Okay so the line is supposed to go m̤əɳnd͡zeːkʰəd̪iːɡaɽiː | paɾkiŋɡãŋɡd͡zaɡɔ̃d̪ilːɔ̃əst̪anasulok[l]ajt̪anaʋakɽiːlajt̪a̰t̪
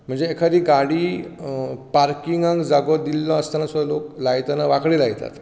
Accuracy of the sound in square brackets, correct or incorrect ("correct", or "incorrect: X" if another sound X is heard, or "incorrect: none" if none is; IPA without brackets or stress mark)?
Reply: correct